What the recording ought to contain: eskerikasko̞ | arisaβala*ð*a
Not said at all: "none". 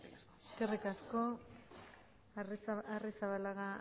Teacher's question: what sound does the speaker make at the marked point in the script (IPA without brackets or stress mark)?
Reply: ɣ